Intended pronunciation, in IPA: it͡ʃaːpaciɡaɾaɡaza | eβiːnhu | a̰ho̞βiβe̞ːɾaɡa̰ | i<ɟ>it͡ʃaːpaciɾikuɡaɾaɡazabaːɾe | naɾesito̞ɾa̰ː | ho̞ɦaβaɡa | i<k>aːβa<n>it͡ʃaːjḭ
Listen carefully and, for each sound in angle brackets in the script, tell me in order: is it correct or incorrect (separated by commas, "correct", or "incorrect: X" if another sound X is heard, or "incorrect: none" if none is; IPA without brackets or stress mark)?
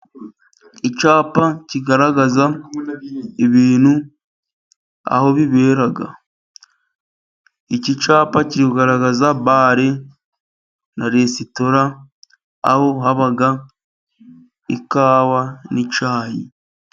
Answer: incorrect: c, correct, correct